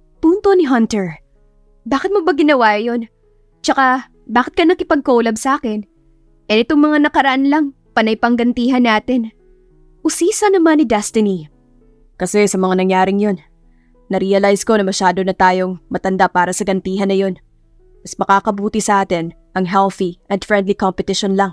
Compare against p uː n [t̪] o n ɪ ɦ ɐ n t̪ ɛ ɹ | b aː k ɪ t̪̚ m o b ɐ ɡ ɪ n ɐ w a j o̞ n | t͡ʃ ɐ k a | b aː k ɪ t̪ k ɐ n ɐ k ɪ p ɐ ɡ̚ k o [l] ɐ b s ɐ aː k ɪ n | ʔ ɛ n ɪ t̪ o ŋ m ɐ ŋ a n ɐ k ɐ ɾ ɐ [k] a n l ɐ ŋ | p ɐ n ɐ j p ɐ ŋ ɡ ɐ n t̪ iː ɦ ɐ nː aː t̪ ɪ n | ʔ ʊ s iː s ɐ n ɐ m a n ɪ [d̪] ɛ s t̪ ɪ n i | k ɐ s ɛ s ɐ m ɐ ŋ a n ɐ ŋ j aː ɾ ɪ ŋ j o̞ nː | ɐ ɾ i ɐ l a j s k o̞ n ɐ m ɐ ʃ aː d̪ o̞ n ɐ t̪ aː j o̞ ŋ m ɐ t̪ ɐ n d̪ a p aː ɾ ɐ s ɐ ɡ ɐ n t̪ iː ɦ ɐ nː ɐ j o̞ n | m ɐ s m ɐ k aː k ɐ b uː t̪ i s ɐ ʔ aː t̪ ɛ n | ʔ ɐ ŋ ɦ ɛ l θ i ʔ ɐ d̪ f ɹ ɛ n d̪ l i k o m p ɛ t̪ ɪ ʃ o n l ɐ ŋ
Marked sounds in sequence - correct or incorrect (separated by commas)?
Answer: correct, correct, incorrect, correct